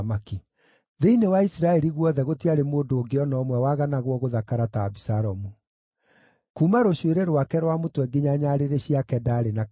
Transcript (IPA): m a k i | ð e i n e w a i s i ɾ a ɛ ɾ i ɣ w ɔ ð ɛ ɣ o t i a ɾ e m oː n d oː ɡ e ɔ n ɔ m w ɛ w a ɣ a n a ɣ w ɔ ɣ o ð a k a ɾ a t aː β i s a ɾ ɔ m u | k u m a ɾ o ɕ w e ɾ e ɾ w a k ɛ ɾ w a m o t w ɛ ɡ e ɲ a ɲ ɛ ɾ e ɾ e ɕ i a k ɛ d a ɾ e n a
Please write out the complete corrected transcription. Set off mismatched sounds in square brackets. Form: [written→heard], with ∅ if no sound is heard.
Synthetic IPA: m a k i | ð e i n e w a i s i ɾ a ɛ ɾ i ɣ w ɔ ð ɛ ɣ o t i a ɾ e m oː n d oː ɡ e ɔ n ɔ m w ɛ w a ɣ a n a ɣ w ɔ ɣ o ð a k a ɾ a t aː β i s a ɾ ɔ m u | k u m a ɾ o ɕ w e ɾ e ɾ w a k ɛ ɾ w a m o t w ɛ ɡ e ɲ a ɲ [ɛ→a] ɾ e ɾ e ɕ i a k ɛ d a ɾ e n a